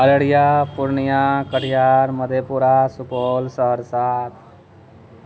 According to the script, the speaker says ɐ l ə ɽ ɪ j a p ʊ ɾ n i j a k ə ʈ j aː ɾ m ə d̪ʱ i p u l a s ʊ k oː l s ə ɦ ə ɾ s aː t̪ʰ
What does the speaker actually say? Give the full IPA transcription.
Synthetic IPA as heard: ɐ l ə ɽ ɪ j a p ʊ ɾ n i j a k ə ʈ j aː ɾ m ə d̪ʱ e p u ɾ a s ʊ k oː l s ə ɦ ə ɾ s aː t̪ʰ